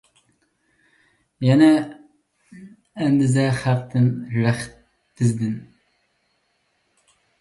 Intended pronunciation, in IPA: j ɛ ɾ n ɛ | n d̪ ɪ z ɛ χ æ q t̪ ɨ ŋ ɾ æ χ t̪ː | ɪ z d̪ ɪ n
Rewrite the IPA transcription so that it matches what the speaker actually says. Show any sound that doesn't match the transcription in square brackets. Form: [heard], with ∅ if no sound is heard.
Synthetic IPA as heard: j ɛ [∅] n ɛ | n d̪ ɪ z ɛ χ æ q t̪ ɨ [n] ɾ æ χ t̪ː | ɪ z d̪ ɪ n